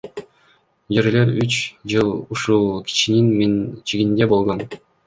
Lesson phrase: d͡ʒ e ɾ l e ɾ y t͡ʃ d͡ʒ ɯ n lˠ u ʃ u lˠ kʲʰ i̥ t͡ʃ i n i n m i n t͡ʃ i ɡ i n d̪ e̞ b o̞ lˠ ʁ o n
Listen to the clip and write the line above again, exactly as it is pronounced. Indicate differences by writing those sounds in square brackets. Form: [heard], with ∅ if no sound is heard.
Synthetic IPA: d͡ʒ e ɾ l e ɾ y t͡ʃ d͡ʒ ɯ [∅] lˠ u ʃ u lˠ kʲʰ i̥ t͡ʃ i n i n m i n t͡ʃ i ɡ i n d̪ e̞ b o̞ lˠ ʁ o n